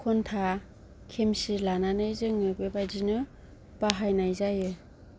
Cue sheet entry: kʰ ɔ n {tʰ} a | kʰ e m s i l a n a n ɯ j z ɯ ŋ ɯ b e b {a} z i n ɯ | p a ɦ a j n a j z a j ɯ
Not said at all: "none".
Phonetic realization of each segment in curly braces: tʰ, a

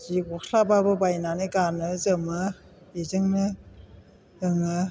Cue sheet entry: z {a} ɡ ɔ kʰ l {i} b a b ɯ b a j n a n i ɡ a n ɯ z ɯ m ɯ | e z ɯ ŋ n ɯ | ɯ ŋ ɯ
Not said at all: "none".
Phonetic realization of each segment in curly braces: i, a

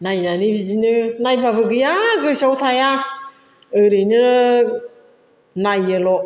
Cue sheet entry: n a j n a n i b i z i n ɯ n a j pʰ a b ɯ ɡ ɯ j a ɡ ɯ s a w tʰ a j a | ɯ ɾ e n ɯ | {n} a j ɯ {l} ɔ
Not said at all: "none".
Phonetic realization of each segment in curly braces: n, l

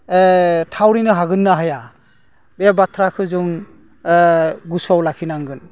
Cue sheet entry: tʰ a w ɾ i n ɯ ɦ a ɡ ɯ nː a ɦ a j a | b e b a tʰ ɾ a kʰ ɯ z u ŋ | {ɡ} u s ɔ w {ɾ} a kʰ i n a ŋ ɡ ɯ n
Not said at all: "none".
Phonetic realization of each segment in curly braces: ɡ, l

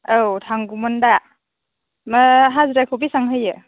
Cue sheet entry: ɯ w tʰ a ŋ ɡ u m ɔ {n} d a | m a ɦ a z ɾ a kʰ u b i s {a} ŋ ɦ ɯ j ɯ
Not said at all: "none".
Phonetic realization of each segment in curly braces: n, a

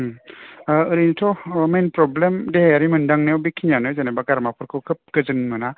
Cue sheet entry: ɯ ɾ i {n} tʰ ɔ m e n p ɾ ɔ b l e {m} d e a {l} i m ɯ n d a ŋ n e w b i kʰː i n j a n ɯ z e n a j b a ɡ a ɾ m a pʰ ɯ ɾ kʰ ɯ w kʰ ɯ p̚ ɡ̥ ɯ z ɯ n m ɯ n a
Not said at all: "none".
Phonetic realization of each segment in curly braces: n, m, ɾ

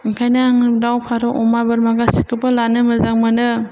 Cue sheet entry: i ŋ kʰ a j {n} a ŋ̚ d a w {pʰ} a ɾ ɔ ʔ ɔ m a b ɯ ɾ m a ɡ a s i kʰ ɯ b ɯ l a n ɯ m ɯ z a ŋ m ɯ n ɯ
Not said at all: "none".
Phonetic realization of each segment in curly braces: n, pʰ

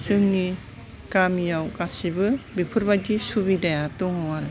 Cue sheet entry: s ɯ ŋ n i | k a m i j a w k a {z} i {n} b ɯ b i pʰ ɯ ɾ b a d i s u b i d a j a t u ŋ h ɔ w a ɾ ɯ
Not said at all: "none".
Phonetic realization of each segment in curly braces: s, none

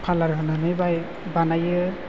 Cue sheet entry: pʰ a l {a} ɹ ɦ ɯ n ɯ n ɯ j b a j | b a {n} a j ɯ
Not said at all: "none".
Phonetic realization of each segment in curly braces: a, n

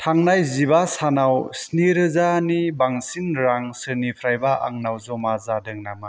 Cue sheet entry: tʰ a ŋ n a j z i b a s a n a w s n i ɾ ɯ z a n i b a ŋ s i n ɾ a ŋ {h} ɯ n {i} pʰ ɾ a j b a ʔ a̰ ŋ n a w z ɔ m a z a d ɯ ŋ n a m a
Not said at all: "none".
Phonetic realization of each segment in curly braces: s, i

